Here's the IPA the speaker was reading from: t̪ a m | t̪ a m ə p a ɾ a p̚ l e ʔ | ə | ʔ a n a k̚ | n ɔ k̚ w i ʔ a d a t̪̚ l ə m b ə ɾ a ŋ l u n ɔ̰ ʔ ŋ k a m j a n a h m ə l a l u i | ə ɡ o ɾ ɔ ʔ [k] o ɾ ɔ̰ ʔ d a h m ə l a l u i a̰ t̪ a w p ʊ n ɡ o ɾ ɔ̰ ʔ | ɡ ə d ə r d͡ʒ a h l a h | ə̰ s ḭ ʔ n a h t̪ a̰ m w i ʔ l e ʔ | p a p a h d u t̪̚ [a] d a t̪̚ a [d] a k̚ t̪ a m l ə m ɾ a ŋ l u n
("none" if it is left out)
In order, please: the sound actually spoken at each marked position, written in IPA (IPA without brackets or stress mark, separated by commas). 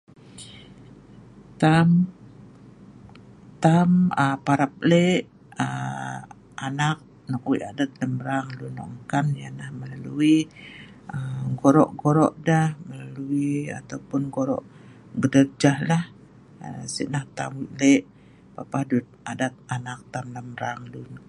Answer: ɡ, a, n